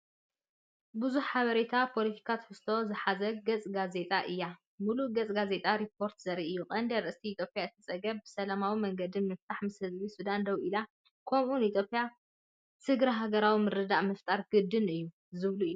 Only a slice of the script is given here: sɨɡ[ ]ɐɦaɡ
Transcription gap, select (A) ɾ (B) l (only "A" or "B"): A